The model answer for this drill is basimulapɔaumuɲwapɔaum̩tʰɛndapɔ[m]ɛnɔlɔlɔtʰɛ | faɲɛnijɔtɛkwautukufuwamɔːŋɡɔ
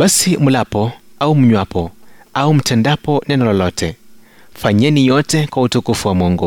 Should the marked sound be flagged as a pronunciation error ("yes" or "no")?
yes